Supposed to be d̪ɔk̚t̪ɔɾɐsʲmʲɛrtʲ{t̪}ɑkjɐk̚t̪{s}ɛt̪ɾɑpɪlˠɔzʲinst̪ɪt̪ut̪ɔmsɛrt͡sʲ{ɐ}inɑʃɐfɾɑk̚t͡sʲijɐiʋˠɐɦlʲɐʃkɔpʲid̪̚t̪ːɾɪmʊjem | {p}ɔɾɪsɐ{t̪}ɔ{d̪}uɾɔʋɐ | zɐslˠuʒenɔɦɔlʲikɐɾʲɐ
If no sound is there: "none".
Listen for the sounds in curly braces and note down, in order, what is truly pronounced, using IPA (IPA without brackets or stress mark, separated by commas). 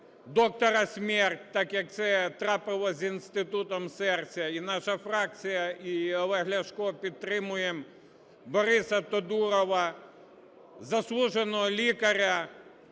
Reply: t̪, s, ɐ, b, t̪, d̪